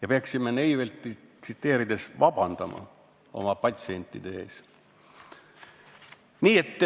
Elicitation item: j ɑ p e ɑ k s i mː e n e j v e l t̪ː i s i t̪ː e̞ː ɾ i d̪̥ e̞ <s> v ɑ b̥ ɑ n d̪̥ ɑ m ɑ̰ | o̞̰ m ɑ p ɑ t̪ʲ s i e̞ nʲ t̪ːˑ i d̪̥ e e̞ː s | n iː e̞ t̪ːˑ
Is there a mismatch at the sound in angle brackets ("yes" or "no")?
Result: no